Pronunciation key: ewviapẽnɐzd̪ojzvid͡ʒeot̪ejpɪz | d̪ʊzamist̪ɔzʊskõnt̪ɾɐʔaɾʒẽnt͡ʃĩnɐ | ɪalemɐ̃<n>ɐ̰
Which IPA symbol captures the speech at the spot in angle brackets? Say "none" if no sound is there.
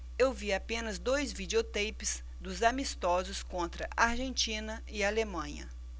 ɲ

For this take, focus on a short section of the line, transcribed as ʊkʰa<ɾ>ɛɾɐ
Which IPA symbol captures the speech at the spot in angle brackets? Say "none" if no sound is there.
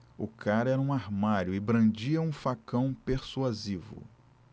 ɾ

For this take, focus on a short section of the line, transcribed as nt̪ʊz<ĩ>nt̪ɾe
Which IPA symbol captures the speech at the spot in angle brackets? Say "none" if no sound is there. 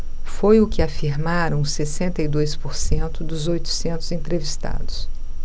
ẽ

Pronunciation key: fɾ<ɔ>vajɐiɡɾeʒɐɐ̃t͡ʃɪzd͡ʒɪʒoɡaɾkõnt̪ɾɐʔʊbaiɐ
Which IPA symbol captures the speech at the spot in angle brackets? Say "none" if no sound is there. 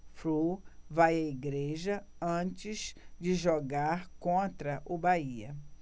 u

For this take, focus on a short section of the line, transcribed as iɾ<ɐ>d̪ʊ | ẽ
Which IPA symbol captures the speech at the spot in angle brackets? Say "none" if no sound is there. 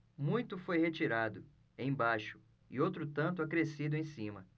a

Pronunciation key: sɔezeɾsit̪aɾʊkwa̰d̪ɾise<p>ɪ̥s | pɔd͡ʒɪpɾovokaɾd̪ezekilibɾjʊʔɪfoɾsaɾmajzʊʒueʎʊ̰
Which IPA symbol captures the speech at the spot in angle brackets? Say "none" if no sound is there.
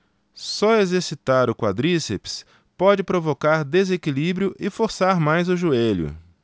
p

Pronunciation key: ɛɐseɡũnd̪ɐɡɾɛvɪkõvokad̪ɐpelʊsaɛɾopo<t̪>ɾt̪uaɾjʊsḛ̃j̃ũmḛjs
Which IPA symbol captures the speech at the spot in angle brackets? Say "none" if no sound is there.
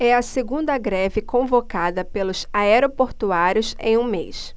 none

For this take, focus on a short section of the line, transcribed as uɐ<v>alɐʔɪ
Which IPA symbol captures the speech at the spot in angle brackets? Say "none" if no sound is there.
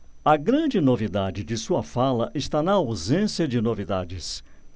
f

